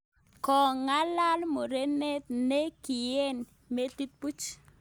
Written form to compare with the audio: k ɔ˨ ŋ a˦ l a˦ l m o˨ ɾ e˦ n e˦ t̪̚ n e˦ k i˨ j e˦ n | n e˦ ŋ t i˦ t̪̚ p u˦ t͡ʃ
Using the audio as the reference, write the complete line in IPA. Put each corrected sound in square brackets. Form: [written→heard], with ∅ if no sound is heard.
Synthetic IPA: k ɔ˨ ŋ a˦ l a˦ l m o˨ ɾ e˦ n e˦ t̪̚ n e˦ k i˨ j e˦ n | [n→m] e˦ [ŋ→∅] t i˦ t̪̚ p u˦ t͡ʃ